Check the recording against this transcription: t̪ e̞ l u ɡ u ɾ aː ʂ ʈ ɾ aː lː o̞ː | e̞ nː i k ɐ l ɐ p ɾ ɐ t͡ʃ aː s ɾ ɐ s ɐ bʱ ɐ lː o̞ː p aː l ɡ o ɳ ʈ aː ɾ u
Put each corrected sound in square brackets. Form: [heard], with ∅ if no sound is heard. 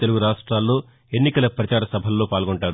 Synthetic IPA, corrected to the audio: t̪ e̞ l u ɡ u ɾ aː ʂ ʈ ɾ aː lː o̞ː | e̞ nː i k ɐ l ɐ p ɾ ɐ t͡ʃ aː [∅] ɾ ɐ s ɐ bʱ ɐ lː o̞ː p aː l ɡ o ɳ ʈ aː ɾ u